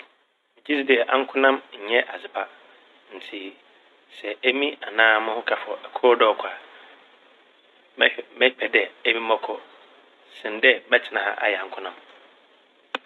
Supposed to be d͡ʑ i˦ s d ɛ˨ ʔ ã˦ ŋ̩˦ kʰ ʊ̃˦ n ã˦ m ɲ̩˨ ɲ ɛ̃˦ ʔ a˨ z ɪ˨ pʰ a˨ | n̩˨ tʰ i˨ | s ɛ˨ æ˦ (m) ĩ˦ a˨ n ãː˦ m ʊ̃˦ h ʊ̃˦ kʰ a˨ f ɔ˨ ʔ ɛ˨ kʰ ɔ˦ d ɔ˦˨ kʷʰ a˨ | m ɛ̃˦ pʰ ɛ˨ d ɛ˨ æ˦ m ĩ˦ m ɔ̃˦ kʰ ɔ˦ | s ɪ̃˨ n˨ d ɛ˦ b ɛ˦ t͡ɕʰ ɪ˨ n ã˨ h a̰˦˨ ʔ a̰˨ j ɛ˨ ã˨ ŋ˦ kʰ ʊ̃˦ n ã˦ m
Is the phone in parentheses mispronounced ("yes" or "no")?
no